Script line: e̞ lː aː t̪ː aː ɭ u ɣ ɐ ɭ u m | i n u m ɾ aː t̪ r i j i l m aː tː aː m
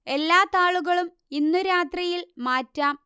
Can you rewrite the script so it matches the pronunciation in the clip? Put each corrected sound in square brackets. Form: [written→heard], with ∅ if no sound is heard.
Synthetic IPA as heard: e̞ lː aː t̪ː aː ɭ u ɣ ɐ ɭ u m | i [n→nː] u [m→∅] ɾ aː t̪ r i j i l m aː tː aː m